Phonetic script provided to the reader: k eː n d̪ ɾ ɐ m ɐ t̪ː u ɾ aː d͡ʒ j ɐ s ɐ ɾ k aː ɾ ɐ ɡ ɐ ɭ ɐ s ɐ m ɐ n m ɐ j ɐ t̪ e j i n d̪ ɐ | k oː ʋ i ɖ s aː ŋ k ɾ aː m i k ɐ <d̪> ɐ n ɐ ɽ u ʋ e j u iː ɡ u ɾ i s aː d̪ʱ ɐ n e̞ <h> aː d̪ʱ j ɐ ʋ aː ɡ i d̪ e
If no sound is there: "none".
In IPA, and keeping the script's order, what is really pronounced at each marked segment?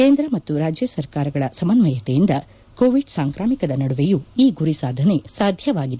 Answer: d̪, s

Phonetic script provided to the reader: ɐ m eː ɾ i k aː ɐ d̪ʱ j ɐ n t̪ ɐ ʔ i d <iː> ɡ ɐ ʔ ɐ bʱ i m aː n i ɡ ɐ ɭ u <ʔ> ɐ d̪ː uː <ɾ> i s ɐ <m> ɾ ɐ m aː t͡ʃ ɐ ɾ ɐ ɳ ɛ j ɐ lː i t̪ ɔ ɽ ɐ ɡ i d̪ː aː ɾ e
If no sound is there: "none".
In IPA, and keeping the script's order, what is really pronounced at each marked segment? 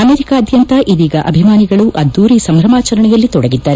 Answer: iː, ʔ, ɾ, m

